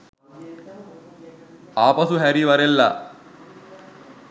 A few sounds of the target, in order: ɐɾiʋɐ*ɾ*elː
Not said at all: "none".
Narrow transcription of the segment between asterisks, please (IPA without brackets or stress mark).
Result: ɾ